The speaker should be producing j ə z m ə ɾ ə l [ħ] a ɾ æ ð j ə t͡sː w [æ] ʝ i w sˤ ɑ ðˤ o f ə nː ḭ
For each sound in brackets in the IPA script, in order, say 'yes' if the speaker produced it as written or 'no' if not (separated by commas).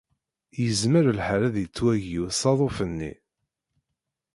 yes, yes